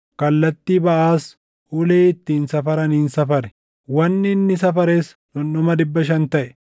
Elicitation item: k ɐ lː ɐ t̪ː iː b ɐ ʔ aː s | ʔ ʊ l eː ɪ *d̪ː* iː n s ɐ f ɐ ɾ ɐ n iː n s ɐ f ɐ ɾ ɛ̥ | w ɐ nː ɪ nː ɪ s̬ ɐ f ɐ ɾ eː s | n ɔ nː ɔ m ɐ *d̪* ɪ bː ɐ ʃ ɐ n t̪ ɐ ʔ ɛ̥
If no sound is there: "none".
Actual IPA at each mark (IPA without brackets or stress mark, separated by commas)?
t̪ː, d̪